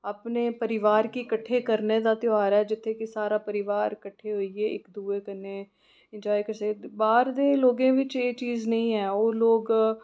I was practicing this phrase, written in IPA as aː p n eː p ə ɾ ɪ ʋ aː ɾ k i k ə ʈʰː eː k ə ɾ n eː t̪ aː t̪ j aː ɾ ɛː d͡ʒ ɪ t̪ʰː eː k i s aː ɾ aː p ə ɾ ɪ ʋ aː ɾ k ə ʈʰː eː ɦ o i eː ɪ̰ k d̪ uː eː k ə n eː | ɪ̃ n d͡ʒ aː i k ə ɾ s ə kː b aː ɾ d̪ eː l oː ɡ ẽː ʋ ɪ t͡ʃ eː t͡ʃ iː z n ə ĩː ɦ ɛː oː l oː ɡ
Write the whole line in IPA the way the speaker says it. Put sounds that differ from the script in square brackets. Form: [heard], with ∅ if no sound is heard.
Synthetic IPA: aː p n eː p ə ɾ ɪ ʋ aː ɾ k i k ə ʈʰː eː k ə ɾ n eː [d̪] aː t̪ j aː ɾ ɛː d͡ʒ ɪ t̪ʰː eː k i s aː ɾ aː p ə ɾ ɪ ʋ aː ɾ k ə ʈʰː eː ɦ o i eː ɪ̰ k d̪ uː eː k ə n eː | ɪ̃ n d͡ʒ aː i k ə ɾ s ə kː b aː ɾ d̪ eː l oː ɡ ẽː ʋ ɪ t͡ʃ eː t͡ʃ iː z n ə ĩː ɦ ɛː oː l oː ɡ